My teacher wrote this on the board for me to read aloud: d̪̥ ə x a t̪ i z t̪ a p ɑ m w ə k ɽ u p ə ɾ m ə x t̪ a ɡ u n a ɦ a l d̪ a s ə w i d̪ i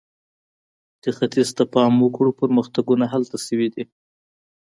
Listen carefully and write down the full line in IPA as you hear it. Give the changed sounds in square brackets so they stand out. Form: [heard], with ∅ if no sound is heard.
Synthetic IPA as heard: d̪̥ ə x a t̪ i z t̪ a p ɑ m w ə k ɽ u p ə ɾ m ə x t̪ a ɡ u n a ɦ a l [t̪] a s ə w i d̪ i